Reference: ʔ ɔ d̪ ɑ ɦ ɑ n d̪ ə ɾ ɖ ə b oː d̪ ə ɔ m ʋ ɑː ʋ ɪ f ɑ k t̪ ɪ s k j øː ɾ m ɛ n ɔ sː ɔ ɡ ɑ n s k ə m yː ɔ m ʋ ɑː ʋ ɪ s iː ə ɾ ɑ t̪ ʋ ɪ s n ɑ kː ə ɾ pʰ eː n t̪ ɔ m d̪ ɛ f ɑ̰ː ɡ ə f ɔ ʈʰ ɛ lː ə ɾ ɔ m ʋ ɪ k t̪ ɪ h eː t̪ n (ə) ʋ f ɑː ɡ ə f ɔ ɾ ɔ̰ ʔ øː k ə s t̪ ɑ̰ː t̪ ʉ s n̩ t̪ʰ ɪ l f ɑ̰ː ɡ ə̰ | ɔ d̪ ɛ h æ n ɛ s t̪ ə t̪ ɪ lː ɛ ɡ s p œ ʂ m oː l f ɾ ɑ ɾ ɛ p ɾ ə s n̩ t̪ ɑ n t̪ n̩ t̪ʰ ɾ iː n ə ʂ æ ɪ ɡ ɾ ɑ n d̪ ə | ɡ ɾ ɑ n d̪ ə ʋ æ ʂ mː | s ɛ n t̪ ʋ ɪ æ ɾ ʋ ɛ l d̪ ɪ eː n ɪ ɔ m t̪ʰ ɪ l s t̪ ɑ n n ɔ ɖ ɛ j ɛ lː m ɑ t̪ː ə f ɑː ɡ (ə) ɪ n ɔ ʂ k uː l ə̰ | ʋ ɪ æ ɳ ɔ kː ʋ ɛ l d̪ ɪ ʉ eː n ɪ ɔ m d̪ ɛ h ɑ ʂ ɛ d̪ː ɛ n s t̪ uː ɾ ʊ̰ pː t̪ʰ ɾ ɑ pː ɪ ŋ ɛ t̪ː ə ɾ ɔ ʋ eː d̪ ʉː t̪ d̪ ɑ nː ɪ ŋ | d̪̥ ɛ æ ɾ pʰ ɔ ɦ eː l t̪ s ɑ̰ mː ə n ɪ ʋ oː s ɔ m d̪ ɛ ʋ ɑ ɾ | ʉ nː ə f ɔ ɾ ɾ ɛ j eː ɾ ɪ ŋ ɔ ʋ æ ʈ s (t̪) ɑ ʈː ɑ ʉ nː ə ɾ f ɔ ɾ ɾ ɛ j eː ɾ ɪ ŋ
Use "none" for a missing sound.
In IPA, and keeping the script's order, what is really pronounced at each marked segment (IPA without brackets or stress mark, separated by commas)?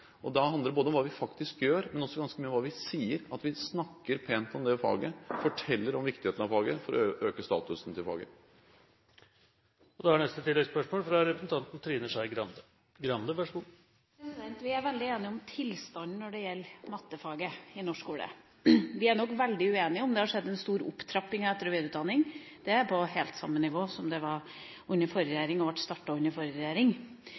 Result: ɑ, ə, t̪